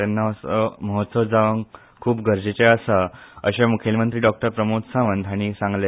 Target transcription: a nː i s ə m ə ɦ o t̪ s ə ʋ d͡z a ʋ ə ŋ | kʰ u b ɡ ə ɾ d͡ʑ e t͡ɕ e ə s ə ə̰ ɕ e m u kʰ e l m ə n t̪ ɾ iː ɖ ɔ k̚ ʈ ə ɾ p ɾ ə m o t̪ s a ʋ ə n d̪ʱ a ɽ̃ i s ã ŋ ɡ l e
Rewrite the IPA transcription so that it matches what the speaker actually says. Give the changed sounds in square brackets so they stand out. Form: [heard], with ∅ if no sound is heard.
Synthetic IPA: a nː [a] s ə m ə ɦ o t̪ s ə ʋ d͡z a ʋ ə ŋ | kʰ [uː] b ɡ ə ɾ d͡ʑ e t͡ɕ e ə s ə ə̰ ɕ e m u kʰ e l m ə n t̪ ɾ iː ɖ ɔ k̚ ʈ ə ɾ p ɾ ə m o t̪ s a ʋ ə n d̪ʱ a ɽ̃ i s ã ŋ ɡ l e